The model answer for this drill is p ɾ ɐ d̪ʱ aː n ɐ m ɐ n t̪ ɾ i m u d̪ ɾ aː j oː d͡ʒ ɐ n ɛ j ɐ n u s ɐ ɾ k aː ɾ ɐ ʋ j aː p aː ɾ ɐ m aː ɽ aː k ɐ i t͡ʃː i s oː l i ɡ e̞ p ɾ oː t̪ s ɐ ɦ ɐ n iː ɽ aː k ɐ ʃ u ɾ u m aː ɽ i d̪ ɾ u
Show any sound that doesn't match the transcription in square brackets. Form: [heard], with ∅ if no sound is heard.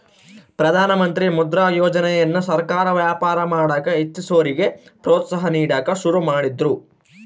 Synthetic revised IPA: p ɾ ɐ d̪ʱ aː n ɐ m ɐ n t̪ ɾ i m u d̪ ɾ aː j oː d͡ʒ ɐ n ɛ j ɐ [nː] u s ɐ ɾ k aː ɾ ɐ ʋ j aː p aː ɾ ɐ m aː ɽ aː k ɐ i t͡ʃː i s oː [ɾ] i ɡ e̞ p ɾ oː t̪ s ɐ ɦ ɐ n iː ɽ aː k ɐ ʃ u ɾ u m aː ɽ i d̪ ɾ u